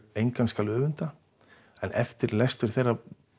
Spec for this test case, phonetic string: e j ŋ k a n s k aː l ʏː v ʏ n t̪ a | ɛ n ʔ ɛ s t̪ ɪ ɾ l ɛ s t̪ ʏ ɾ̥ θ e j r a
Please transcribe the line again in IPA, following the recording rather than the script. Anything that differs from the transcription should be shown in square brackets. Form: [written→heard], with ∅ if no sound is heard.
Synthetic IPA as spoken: e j ŋ k a n s k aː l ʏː v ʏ n t̪ a | ɛ n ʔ ɛ [s→f] t̪ ɪ ɾ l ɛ s t̪ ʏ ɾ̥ θ e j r a